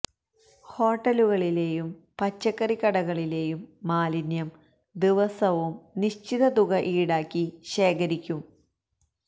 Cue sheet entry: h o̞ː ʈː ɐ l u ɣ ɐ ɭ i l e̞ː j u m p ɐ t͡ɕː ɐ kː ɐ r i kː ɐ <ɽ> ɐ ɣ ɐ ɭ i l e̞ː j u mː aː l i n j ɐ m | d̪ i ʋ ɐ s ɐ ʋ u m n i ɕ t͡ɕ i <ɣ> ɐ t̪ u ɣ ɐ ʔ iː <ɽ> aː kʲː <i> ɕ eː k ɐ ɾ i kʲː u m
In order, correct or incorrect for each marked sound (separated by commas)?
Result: correct, incorrect, correct, correct